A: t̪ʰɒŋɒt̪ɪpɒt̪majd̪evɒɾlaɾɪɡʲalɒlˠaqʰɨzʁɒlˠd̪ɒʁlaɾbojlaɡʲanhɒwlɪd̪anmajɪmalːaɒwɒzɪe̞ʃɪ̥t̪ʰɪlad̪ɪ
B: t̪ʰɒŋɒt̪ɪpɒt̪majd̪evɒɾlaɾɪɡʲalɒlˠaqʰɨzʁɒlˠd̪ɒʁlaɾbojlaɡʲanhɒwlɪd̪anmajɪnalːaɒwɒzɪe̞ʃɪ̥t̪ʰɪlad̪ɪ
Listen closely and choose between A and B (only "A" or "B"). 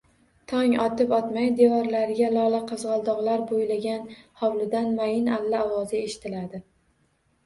B